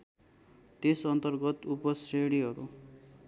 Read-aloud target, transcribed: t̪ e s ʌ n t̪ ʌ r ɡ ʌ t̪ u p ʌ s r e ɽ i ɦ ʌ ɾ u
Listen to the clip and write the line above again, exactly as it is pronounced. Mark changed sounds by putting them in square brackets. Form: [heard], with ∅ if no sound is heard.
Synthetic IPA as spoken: t̪ e s ʌ n t̪ ʌ r ɡ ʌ t̪ u p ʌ s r e ɽ i ɦ ʌ ɾ u